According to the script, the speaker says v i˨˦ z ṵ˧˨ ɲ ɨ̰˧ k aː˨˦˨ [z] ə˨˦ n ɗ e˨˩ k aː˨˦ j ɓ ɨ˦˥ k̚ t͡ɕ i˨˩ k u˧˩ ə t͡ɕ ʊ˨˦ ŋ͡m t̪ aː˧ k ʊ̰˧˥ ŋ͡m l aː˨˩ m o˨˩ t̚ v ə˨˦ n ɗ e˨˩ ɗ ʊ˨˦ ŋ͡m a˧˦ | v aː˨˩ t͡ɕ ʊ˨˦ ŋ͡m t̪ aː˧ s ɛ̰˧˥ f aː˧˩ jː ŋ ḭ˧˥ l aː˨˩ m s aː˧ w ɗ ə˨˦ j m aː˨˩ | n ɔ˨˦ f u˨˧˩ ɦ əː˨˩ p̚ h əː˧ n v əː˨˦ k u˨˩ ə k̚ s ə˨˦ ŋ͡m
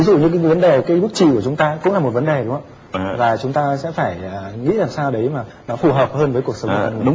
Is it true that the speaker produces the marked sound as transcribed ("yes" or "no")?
no